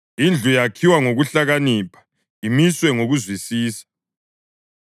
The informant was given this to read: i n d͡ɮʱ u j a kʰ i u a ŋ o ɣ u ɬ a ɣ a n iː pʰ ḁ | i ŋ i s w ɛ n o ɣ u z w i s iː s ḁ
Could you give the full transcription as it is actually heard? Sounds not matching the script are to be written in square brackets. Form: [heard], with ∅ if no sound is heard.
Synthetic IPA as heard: i n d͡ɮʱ u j a kʰ i [w] a ŋ o ɣ u ɬ a ɣ a n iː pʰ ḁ | i [m] i s w ɛ [ŋ] o ɣ u z w i s iː s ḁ